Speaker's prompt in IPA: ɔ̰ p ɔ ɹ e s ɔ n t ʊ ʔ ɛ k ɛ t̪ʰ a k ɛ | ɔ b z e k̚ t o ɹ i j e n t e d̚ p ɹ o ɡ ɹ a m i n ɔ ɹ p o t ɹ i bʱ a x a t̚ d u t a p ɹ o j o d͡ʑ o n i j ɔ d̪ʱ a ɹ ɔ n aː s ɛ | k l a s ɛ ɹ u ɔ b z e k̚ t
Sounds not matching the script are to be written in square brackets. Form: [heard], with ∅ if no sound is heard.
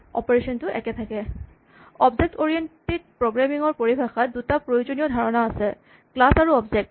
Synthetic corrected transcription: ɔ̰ p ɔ ɹ e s ɔ n t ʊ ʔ ɛ k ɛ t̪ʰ a k ɛ | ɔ b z e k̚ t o ɹ i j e n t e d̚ p ɹ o ɡ ɹ a m i [ŋ] ɔ ɹ p o [∅] ɹ i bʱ a x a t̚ d u t a p ɹ o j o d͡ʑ o n i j ɔ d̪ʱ a ɹ ɔ n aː s ɛ | k l a s [a] ɹ u ɔ b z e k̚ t